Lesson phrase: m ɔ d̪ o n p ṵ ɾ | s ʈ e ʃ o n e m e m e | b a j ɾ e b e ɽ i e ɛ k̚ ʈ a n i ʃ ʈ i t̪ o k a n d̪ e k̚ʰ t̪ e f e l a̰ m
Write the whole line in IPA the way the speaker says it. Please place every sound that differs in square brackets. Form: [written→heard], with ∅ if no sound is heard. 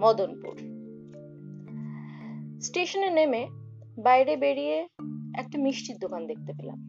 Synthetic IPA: m ɔ d̪ o n p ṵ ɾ | s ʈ e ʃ o n e [m→n] e m e | b a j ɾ e b e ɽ i e ɛ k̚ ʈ a [n→m] i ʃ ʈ i [t̪→d̪] o k a n d̪ e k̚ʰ t̪ e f e l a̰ m